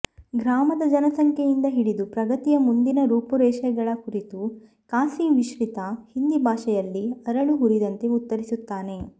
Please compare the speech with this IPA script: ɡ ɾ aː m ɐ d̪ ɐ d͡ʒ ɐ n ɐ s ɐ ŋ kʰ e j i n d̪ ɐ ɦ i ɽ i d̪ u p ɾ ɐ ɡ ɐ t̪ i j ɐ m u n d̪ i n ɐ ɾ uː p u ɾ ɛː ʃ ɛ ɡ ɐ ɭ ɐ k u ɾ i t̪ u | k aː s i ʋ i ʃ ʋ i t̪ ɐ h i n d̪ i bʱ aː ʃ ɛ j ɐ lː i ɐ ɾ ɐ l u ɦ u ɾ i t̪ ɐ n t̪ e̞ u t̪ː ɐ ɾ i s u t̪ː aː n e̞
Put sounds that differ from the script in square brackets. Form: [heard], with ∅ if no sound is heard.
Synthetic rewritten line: ɡ ɾ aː m ɐ d̪ ɐ d͡ʒ ɐ n ɐ s ɐ ŋ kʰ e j i n d̪ ɐ ɦ i ɽ i d̪ u p ɾ ɐ ɡ ɐ t̪ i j ɐ m u n d̪ i n ɐ ɾ uː p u ɾ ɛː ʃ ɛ ɡ ɐ ɭ ɐ k u ɾ i t̪ u | k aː s i ʋ i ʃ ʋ i t̪ ɐ h i n d̪ i bʱ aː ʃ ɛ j ɐ lː i ɐ ɾ ɐ [ɭ] u ɦ u ɾ i [d̪] ɐ n t̪ e̞ u t̪ː ɐ ɾ i s u t̪ː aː n e̞

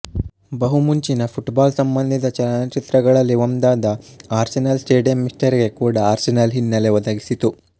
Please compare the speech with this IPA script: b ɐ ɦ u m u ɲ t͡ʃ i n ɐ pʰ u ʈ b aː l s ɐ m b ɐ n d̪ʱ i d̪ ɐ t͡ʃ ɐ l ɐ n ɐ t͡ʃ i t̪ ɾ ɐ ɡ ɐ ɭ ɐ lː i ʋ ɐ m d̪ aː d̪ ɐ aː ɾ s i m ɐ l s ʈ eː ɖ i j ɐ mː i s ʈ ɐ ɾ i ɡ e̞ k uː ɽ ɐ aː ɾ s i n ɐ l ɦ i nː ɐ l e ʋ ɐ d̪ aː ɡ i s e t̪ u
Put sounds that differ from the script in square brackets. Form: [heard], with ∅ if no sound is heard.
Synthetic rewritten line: b ɐ ɦ u m u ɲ t͡ʃ i n ɐ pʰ u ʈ b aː l s ɐ m b ɐ n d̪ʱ i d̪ ɐ t͡ʃ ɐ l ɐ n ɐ t͡ʃ i t̪ ɾ ɐ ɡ ɐ ɭ ɐ lː i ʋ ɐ m d̪ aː d̪ ɐ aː ɾ s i [n] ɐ l s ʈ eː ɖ i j ɐ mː i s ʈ ɐ ɾ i ɡ e̞ k uː ɽ ɐ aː ɾ s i n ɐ l ɦ i nː ɐ l e ʋ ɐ d̪ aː ɡ i s [i] t̪ u

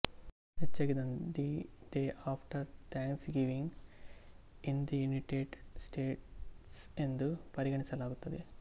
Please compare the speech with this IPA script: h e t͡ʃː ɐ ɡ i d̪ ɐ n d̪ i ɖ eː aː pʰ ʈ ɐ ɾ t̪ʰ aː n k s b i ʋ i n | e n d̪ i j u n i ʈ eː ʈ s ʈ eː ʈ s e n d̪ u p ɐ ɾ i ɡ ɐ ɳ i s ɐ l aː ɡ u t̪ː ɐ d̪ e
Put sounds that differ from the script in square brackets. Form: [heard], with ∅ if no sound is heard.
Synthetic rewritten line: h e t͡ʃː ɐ ɡ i d̪ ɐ n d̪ i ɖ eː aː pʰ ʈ ɐ ɾ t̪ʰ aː [ŋ] k s [ɡ] i ʋ i [ŋ] | [i] n d̪ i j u n i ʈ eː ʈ s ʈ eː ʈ s e n d̪ u p ɐ ɾ i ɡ ɐ ɳ i s ɐ l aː ɡ u t̪ː ɐ d̪ e

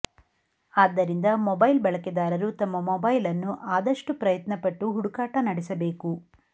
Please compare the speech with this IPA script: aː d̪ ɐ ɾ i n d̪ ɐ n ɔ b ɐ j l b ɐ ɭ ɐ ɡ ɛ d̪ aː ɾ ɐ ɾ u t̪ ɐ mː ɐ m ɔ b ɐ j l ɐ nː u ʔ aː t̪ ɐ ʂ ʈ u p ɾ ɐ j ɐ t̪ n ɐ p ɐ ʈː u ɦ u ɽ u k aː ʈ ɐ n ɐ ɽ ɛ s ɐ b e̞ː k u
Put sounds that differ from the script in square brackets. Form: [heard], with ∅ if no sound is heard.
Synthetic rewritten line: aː [d̪ː] ɐ ɾ i n d̪ ɐ [m] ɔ b ɐ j l b ɐ ɭ ɐ [k] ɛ d̪ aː ɾ ɐ ɾ u t̪ ɐ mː ɐ m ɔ b ɐ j l ɐ nː u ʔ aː [d̪] ɐ ʂ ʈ u p ɾ ɐ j ɐ t̪ n ɐ p ɐ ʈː u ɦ u ɽ u k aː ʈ ɐ n ɐ ɽ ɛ s ɐ b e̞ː k u

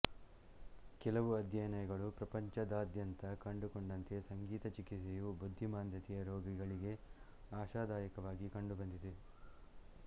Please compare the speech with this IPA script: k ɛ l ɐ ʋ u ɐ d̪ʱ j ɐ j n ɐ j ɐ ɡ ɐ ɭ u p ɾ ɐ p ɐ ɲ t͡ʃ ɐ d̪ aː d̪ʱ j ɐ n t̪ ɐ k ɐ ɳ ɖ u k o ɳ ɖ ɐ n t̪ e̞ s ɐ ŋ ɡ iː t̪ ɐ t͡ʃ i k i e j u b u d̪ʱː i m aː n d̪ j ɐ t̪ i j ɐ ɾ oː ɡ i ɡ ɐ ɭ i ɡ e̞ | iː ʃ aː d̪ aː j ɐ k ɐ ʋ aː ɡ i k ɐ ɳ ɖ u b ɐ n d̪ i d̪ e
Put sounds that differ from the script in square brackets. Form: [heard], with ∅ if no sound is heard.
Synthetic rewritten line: k ɛ l ɐ ʋ u ɐ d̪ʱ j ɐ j n ɐ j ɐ ɡ ɐ ɭ u p ɾ ɐ p ɐ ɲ t͡ʃ ɐ d̪ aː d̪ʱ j ɐ n t̪ ɐ k ɐ ɳ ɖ u k o ɳ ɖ ɐ n t̪ e̞ s ɐ ŋ ɡ iː t̪ ɐ t͡ʃ i k i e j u b u d̪ʱː i m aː n d̪ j ɐ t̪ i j ɐ ɾ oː ɡ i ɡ ɐ ɭ i ɡ e̞ | [aː] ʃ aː d̪ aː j ɐ k ɐ ʋ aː ɡ i k ɐ ɳ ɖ u b ɐ n d̪ i d̪ e

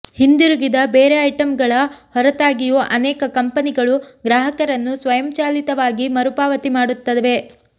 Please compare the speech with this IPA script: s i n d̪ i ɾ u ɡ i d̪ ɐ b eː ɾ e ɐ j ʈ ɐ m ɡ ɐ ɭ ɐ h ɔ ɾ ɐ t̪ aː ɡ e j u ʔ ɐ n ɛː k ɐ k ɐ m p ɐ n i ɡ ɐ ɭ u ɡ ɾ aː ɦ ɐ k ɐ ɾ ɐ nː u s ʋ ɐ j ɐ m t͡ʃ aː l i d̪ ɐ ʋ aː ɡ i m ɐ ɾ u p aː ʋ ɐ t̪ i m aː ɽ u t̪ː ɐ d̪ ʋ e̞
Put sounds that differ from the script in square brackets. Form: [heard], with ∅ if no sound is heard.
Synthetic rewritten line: [h] i n d̪ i ɾ u ɡ i d̪ ɐ b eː ɾ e ɐ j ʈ ɐ m ɡ ɐ ɭ ɐ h ɔ ɾ ɐ t̪ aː ɡ [i] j u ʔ ɐ n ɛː k ɐ k ɐ m p ɐ n i ɡ ɐ ɭ u ɡ ɾ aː ɦ ɐ k ɐ ɾ ɐ nː u s ʋ ɐ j ɐ m t͡ʃ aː l i [t̪] ɐ ʋ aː ɡ i m ɐ ɾ u p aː ʋ ɐ t̪ i m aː ɽ u t̪ː ɐ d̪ ʋ e̞

